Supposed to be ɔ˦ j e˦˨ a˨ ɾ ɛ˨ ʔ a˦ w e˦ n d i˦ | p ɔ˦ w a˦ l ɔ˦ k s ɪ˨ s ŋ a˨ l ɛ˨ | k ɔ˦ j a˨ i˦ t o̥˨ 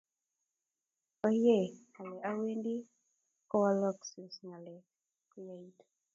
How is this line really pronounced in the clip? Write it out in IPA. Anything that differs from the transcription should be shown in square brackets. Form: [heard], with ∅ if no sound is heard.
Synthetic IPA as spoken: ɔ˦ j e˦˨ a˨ [l] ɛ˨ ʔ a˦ w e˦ n d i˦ | [k] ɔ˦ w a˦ l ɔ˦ k s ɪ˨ s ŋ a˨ l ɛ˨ | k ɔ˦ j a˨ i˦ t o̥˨